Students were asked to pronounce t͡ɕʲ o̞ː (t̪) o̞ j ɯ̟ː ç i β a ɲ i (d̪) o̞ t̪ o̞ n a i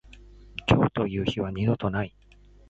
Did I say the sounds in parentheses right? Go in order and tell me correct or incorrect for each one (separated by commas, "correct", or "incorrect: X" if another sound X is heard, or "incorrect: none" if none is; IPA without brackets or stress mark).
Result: correct, correct